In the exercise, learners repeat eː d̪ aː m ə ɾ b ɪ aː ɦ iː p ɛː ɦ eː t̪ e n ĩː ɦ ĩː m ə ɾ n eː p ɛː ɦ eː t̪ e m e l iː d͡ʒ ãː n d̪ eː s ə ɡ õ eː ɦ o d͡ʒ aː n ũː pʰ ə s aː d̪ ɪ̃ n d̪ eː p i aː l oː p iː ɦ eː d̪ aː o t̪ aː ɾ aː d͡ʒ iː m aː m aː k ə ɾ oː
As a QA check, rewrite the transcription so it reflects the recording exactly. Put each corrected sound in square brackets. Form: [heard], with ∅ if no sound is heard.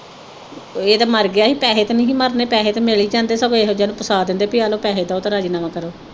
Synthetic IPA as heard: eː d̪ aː m ə ɾ [ɡ] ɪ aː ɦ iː p ɛː ɦ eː t̪ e n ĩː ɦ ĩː m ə ɾ n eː p ɛː ɦ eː t̪ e m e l iː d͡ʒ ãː n d̪ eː s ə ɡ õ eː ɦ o d͡ʒ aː n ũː [p] ə s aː d̪ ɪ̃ n d̪ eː p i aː l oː p [ɛː] ɦ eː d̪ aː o t̪ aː ɾ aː d͡ʒ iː [n] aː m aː k ə ɾ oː